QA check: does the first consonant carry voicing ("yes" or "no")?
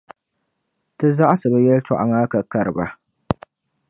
no